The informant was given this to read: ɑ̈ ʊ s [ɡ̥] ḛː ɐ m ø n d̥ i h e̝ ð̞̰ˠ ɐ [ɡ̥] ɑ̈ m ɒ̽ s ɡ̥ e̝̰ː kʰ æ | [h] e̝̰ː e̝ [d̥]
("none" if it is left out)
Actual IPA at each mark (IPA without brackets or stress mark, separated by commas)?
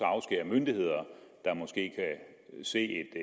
ɡ̥, d̥, s, d̥